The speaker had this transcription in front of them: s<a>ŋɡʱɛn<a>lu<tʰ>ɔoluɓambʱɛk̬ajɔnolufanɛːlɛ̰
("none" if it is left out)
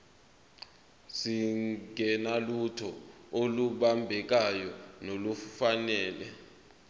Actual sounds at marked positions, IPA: i, a, tʰ

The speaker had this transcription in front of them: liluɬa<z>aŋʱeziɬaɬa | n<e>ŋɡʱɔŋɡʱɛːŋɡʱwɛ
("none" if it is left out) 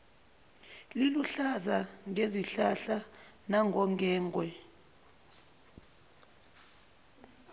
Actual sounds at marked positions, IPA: z, a

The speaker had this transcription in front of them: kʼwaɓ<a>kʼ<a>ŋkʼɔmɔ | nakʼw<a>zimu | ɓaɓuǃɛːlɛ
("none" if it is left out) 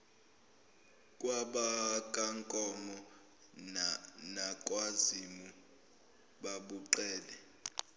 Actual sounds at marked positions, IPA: a, a, a

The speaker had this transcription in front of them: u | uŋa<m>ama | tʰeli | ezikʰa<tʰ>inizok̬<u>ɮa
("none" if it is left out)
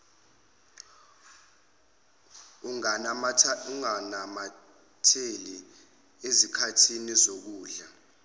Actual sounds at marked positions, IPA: n, tʰ, uː

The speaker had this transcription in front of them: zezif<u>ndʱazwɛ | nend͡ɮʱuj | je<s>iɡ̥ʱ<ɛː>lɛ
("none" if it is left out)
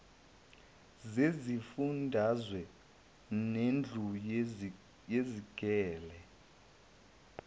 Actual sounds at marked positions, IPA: u, z, ɛː

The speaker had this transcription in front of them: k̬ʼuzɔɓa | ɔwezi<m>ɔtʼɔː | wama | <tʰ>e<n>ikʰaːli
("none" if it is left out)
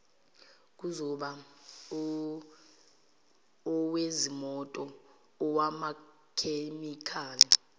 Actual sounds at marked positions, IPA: m, kʰ, m

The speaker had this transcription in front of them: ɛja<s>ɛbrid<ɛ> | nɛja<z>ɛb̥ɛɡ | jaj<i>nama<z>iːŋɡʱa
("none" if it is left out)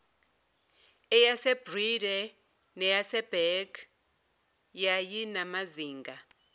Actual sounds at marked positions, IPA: s, ɛ, s, i, z

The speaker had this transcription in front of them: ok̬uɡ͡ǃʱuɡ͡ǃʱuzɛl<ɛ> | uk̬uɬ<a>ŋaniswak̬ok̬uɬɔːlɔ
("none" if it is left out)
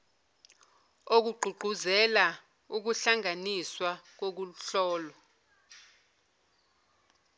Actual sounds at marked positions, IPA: a, a

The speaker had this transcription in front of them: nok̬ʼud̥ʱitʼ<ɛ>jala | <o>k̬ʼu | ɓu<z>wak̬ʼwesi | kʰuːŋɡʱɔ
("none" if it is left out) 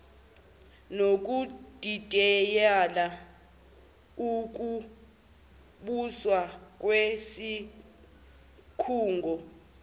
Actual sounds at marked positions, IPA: ɛ, u, s

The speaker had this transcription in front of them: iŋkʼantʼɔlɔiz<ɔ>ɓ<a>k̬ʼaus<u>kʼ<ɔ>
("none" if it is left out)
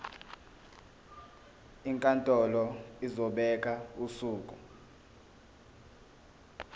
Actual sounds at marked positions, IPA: ɔ, ɛ, uː, u

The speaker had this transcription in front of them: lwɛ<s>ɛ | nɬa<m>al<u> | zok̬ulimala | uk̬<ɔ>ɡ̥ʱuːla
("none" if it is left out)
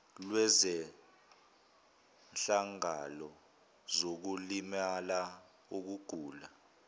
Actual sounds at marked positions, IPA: z, ŋ, ɔ, u

